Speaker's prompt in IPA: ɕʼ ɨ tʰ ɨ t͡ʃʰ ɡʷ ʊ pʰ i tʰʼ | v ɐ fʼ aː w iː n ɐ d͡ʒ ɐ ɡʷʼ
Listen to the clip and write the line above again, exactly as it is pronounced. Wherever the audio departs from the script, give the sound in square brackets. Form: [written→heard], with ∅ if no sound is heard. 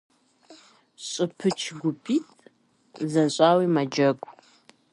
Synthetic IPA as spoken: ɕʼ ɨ [tʰ→pʰ] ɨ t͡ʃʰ ɡʷ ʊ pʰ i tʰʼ | [v→z] ɐ [fʼ→ɕʼ] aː w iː [n→m] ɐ d͡ʒ ɐ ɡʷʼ